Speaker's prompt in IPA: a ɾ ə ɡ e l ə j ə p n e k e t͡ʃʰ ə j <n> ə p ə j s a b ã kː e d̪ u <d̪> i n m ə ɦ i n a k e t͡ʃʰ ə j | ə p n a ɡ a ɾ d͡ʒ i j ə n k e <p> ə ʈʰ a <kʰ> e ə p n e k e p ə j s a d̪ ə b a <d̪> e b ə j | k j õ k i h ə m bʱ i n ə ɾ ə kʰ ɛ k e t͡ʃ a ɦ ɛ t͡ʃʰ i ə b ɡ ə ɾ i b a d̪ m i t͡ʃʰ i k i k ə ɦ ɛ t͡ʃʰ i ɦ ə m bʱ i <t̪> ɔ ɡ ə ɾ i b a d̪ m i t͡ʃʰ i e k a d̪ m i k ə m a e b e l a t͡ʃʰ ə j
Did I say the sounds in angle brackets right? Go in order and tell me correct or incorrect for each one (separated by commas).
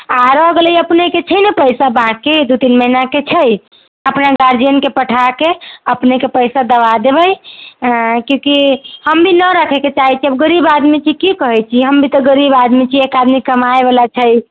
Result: correct, incorrect, correct, incorrect, correct, correct